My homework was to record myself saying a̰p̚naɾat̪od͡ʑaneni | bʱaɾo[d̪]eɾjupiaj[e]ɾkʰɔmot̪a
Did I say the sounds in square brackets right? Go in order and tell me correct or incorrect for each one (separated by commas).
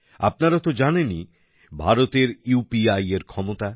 incorrect, correct